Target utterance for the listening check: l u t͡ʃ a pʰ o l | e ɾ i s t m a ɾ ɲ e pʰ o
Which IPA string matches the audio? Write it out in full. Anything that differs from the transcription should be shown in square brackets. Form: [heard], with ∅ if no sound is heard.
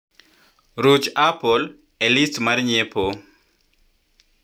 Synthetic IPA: [ɾ] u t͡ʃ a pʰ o l | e [l] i s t m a ɾ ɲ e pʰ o